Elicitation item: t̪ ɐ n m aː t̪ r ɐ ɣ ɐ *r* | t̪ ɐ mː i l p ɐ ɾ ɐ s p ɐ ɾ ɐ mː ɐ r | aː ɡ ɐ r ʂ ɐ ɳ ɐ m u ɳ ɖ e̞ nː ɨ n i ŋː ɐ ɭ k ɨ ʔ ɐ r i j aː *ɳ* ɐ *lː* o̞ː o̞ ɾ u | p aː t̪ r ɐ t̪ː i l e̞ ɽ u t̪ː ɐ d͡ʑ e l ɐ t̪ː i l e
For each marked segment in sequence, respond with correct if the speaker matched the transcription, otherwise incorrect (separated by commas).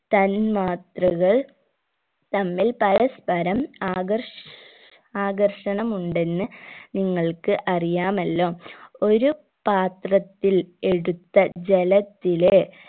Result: incorrect, incorrect, correct